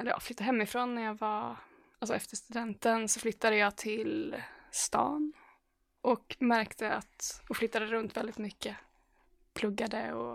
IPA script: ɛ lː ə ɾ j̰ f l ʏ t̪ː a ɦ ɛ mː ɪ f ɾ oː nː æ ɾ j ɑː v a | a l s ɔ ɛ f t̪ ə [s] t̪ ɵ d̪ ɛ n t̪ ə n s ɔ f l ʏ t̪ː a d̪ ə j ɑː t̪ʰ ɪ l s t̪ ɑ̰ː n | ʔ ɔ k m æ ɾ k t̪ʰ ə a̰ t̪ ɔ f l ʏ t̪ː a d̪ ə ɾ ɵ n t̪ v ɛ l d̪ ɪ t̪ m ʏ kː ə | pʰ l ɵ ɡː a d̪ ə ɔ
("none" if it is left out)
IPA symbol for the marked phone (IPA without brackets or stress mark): ʂ